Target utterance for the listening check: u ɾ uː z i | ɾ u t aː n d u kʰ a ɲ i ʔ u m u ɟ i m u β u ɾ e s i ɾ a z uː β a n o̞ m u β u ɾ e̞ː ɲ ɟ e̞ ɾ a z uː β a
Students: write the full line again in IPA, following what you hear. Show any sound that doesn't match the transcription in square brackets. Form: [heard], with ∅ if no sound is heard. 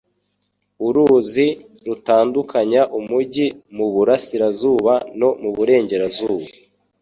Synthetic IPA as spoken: u ɾ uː z i | ɾ u t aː n d u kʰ a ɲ [a] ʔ u m u ɟ i m u β u ɾ [a] s i ɾ a z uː β a n o̞ m u β u ɾ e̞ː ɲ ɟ e̞ ɾ a z uː β a